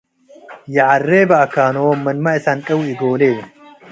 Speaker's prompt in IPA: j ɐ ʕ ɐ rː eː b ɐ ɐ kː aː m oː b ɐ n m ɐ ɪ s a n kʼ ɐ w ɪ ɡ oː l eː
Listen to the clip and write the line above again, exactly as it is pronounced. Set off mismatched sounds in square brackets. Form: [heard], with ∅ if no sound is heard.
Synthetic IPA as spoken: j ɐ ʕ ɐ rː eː b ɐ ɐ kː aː [n] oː [m] ɐ n m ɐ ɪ s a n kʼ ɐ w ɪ ɡ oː l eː